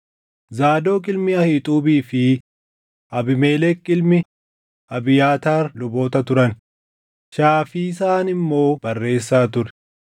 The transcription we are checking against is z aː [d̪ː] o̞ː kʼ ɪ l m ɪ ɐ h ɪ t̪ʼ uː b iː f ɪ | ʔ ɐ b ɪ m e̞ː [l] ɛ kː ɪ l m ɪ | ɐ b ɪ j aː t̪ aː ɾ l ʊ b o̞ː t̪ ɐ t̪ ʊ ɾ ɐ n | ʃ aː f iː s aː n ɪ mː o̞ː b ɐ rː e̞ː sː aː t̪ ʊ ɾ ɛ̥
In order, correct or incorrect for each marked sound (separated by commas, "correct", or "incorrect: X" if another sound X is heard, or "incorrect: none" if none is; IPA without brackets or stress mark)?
incorrect: d̪, correct